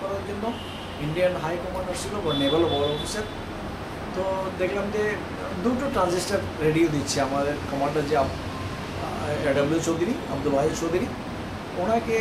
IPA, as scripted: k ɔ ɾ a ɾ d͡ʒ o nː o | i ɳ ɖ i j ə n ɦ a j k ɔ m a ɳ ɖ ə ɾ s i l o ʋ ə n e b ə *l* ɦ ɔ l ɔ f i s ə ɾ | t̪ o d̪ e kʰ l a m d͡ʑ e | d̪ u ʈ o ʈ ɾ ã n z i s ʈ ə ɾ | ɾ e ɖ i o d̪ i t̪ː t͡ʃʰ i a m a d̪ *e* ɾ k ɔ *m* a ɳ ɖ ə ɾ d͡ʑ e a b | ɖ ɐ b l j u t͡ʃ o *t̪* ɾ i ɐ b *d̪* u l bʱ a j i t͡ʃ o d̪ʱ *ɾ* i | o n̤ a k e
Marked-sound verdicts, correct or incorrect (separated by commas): correct, correct, correct, incorrect, correct, correct